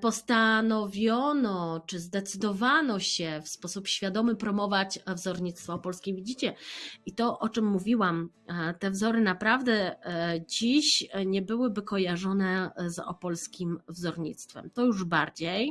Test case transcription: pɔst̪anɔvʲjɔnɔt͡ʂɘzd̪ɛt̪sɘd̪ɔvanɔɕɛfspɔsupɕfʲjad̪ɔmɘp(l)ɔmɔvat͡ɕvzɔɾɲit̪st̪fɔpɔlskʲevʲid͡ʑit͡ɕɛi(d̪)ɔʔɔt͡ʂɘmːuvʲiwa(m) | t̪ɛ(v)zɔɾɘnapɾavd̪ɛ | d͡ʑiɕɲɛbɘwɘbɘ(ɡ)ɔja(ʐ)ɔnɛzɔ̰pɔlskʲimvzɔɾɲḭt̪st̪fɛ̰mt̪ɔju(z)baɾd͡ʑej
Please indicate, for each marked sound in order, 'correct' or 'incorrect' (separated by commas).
incorrect, incorrect, correct, correct, incorrect, correct, incorrect